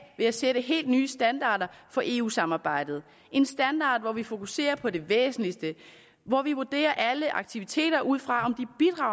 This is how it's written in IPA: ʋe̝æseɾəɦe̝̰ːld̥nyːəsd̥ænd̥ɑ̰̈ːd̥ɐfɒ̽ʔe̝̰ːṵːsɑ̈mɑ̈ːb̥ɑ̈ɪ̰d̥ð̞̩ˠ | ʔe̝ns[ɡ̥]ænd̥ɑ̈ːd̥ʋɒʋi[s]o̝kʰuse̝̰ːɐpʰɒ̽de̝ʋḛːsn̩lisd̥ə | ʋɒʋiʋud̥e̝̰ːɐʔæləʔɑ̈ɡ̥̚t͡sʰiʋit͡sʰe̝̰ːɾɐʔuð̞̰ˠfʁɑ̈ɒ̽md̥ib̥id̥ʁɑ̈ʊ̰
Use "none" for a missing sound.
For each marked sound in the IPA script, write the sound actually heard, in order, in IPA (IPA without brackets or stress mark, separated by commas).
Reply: d̥, f